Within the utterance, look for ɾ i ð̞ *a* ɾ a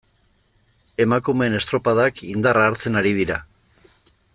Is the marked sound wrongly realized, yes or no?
yes